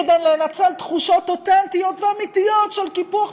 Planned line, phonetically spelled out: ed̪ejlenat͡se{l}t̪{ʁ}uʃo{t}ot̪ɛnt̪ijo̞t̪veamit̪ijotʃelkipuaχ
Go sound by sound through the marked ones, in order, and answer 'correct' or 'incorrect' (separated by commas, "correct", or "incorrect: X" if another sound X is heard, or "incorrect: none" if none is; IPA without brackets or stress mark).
correct, incorrect: χ, correct